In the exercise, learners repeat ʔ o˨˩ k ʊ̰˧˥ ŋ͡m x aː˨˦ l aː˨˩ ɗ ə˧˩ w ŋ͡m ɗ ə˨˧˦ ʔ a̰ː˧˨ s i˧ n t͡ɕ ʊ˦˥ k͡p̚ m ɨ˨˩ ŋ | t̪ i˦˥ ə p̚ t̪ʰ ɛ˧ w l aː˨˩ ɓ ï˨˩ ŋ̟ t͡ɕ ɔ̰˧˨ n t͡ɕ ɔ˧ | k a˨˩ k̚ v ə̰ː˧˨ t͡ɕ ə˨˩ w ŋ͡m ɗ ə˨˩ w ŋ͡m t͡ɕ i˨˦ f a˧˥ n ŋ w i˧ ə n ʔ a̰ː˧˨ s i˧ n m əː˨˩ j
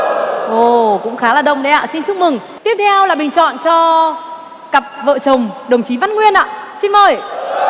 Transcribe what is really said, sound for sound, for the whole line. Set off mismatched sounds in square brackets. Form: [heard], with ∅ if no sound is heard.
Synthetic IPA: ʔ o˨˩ k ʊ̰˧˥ ŋ͡m x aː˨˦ l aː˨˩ ɗ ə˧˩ w ŋ͡m ɗ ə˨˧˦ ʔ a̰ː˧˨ s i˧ n t͡ɕ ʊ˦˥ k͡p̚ m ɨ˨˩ ŋ | t̪ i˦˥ ə p̚ t̪ʰ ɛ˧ w l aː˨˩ ɓ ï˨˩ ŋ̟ t͡ɕ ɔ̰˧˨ n t͡ɕ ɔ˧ | k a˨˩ [p̚] v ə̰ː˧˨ t͡ɕ ə˨˩ w ŋ͡m ɗ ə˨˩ w ŋ͡m t͡ɕ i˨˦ [v] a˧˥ n ŋ w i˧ ə n ʔ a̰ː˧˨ s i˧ n m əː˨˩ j